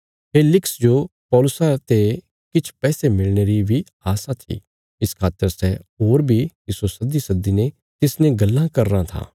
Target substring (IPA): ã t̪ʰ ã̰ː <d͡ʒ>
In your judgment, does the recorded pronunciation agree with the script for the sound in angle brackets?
no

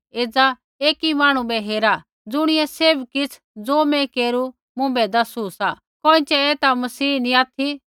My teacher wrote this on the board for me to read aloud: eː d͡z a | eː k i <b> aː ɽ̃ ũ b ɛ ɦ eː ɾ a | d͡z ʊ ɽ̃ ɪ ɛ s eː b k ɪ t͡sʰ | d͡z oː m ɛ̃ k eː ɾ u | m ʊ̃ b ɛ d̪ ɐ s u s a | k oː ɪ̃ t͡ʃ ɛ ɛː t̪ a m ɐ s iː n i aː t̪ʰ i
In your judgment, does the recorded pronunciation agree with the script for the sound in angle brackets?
no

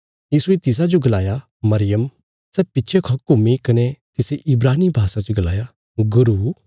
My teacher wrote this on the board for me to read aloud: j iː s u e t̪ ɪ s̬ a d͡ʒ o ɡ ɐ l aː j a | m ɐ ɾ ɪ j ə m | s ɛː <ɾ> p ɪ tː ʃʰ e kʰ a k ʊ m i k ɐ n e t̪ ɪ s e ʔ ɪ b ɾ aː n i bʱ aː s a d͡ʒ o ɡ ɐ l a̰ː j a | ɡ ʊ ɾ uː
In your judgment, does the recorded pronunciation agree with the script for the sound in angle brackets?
no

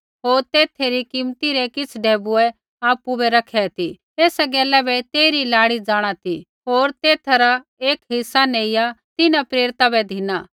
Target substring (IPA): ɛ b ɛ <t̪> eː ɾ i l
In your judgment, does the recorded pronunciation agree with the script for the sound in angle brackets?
yes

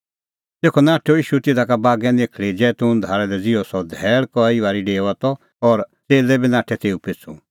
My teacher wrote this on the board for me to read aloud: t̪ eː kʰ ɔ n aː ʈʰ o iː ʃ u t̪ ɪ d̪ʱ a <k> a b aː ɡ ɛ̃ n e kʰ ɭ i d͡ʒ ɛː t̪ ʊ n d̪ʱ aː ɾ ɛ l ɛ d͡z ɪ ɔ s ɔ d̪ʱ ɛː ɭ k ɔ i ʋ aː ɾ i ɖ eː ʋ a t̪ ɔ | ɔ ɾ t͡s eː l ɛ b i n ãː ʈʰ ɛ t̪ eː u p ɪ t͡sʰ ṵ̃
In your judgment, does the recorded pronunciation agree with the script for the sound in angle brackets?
yes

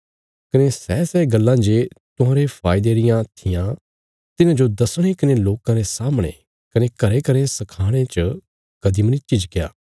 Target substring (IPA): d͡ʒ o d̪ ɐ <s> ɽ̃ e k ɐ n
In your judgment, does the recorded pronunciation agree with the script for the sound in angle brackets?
yes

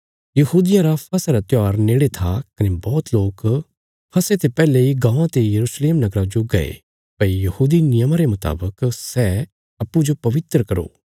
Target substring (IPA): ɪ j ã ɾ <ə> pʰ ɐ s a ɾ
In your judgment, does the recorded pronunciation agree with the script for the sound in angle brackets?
no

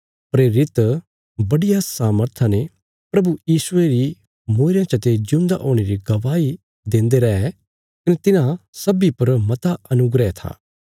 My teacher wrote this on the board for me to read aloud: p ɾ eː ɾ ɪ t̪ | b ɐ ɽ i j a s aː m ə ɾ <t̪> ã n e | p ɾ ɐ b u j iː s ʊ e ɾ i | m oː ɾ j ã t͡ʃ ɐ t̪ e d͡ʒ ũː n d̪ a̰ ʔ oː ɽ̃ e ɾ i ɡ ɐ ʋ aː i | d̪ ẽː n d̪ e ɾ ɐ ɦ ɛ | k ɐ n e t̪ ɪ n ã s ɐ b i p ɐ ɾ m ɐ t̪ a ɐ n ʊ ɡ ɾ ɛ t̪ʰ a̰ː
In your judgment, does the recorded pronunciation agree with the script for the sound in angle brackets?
no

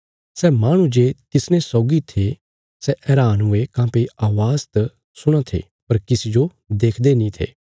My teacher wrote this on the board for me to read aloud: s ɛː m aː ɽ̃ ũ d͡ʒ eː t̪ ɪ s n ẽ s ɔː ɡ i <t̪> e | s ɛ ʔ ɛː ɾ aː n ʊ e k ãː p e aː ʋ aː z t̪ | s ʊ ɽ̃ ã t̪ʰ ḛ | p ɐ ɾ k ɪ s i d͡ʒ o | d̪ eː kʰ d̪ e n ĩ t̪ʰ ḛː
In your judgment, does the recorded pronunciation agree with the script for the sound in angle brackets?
no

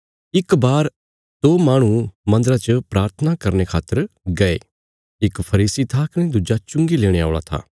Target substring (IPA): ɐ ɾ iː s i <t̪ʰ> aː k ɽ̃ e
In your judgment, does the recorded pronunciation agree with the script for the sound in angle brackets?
yes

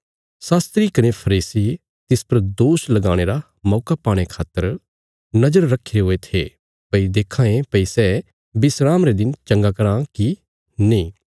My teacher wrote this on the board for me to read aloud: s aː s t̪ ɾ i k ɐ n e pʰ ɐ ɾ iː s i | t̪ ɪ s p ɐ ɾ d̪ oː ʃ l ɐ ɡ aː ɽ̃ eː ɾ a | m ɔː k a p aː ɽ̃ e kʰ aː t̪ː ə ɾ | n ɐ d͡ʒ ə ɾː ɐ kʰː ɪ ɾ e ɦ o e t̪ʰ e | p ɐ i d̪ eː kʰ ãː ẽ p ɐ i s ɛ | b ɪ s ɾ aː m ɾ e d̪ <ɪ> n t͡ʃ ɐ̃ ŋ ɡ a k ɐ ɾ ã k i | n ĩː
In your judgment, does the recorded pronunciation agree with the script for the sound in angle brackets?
yes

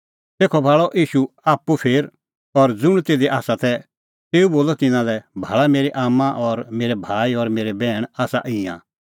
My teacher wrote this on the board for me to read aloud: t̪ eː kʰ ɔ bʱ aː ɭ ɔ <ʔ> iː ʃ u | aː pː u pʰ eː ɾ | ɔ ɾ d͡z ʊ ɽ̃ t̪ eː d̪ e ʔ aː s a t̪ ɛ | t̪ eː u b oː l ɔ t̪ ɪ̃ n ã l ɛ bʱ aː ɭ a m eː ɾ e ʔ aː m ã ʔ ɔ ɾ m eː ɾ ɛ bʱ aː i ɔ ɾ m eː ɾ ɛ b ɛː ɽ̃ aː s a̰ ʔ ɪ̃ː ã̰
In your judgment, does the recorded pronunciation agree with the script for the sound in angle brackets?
yes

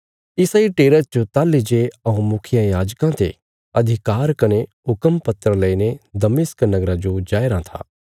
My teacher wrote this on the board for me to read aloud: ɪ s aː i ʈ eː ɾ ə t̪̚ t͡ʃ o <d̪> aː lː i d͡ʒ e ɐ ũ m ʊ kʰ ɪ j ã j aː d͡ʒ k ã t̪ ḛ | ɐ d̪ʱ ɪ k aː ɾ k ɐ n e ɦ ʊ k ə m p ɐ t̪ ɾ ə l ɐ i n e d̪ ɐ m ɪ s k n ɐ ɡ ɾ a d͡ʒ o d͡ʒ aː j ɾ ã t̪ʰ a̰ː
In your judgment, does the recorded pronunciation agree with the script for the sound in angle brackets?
no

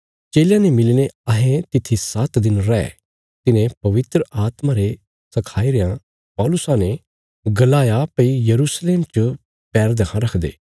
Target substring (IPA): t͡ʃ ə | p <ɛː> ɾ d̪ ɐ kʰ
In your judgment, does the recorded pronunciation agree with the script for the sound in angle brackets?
yes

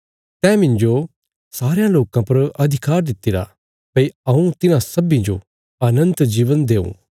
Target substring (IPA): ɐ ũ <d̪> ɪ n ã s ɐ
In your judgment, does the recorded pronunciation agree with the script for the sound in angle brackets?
no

